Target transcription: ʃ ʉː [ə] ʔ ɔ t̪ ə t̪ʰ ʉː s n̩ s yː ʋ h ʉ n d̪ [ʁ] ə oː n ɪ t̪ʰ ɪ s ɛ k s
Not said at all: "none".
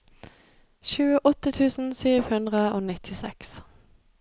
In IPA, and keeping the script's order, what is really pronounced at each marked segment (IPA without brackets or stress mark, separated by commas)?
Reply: ə, ʁ